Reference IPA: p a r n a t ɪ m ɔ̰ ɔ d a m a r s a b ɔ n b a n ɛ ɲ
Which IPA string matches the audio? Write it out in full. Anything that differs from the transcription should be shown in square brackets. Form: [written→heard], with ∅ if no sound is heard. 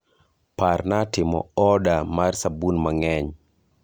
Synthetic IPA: p a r n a t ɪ m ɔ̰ ɔ d a m a r s a b [ɔ→u] n [b→m] a [n→ŋ] ɛ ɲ